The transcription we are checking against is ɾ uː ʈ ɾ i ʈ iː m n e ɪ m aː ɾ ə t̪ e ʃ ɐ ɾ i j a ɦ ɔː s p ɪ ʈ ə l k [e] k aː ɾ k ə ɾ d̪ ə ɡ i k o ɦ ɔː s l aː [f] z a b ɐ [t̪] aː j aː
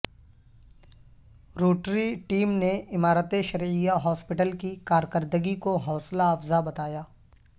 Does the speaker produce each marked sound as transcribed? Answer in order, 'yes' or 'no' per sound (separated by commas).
no, yes, yes